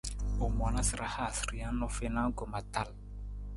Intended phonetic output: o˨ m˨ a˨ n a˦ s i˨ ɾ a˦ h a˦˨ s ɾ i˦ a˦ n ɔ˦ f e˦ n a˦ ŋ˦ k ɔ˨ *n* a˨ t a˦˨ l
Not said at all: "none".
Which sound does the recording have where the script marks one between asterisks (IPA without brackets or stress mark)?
m